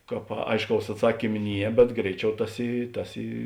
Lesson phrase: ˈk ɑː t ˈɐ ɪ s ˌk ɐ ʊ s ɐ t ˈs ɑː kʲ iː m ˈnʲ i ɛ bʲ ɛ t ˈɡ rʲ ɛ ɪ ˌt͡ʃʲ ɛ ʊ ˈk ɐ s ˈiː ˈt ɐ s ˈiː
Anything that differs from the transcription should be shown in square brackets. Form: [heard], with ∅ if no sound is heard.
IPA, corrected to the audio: ˈk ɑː [p] ˈɐ ɪ [ʃ] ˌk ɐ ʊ s ɐ t ˈs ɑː kʲ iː m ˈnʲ i ɛ bʲ ɛ t ˈɡ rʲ ɛ ɪ ˌt͡ʃʲ ɛ ʊ [ˈt] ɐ s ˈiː ˈt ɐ s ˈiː